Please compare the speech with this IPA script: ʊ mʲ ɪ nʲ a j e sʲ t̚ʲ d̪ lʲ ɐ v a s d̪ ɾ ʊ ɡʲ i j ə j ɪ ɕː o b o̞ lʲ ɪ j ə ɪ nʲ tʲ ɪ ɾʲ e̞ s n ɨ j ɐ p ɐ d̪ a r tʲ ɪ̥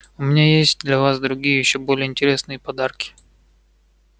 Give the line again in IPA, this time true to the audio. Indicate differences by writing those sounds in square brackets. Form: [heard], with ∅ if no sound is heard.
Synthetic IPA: ʊ mʲ ɪ nʲ a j e sʲ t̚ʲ d̪ lʲ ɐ v a s d̪ ɾ ʊ ɡʲ i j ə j ɪ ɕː o b o̞ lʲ ɪ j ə ɪ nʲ tʲ ɪ ɾʲ e̞ s n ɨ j [ə] p ɐ d̪ a r [kʲ] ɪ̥

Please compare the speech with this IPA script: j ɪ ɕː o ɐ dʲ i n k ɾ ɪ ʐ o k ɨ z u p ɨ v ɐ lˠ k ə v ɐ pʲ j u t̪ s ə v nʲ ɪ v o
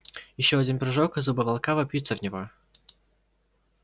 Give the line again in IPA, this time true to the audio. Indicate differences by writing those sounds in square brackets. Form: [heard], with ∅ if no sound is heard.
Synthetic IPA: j ɪ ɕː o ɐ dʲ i n [p] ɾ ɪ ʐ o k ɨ z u [b] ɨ v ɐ lˠ k [a] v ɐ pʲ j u t̪ s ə v nʲ ɪ v o

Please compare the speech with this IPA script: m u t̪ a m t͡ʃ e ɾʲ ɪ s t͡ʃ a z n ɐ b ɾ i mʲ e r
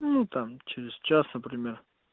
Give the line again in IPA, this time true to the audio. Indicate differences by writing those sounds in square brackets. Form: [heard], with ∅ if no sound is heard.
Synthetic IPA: [n] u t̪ a m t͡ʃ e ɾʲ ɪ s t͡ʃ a [s] n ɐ [p] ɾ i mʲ e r

